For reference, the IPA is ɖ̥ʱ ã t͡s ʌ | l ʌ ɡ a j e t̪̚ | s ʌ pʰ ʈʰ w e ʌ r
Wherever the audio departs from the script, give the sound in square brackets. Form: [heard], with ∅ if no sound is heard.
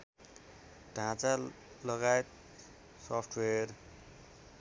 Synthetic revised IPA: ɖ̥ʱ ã t͡s [a] | l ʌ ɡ a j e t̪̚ | s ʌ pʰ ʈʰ w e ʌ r